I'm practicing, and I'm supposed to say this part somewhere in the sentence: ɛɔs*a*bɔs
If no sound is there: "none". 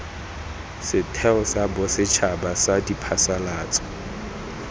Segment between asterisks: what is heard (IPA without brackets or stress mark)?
a